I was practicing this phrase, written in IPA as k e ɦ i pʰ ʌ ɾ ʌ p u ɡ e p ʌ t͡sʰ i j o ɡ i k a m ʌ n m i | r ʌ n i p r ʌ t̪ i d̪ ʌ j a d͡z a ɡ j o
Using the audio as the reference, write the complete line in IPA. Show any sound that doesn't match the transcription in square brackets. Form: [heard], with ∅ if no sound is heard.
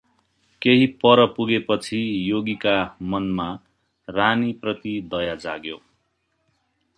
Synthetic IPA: k e ɦ i [p] ʌ ɾ ʌ p u ɡ e p ʌ t͡sʰ i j o ɡ i k a m ʌ n m [a] | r [a] n i p r ʌ t̪ i d̪ ʌ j a d͡z a ɡ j o